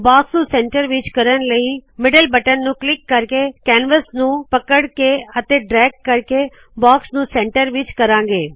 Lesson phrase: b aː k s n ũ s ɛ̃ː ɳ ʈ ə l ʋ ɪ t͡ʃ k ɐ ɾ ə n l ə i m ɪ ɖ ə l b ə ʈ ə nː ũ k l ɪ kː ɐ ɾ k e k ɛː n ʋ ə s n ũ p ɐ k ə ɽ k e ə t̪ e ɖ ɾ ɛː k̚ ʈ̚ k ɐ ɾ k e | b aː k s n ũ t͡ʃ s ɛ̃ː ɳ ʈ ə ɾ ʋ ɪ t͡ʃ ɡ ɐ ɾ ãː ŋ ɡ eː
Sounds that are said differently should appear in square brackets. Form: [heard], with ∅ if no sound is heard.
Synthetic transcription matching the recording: b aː k s n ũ s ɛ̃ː ɳ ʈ ə [ɾ] ʋ ɪ t͡ʃ k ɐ ɾ ə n l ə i m ɪ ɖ ə l b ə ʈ ə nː ũ k l ɪ kː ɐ ɾ k e k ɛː n ʋ ə s n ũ p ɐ k ə ɽ k e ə t̪ e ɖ ɾ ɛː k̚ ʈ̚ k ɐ ɾ k e | b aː k s n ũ [∅] s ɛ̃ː ɳ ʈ ə ɾ ʋ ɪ t͡ʃ [k] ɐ ɾ ãː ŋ ɡ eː